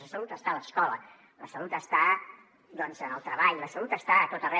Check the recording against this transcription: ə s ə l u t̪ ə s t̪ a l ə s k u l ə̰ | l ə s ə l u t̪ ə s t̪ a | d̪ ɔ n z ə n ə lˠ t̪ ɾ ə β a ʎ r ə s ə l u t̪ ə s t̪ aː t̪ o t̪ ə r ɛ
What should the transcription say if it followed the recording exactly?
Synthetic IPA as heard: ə s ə l u t̪ ə s t̪ a l ə s k ɔ l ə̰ | l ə s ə l u t̪ ə s t̪ a | d̪ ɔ n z ə n ə lˠ t̪ ɾ ə β a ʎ l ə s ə l u t̪ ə s t̪ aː t̪ o t̪ ə r ɛ